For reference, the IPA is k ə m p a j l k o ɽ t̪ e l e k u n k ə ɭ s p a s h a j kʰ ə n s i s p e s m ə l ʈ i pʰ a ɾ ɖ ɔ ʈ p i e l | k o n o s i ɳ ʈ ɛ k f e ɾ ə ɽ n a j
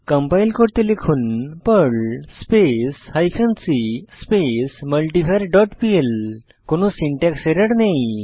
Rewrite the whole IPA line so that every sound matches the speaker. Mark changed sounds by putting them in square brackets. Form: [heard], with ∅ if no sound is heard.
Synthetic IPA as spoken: k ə m p a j l k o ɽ t̪ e l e [kʰ] u n [p] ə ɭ s p [e] s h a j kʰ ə n s i s p e s m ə l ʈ i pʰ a ɾ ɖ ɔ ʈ p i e l | k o n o s i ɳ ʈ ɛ k [s] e ɾ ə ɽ n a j